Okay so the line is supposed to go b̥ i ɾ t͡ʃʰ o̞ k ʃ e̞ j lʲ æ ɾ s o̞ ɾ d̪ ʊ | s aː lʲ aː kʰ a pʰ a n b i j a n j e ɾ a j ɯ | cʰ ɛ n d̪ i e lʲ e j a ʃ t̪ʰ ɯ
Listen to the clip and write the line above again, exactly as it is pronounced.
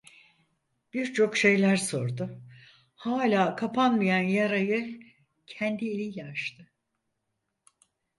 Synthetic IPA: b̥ i ɾ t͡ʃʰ o̞ k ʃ e̞ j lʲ æ ɾ s o̞ ɾ d̪ ʊ | h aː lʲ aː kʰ a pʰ a n m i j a n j a ɾ a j ɯ | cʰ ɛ n d̪ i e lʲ i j a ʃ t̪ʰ ɯ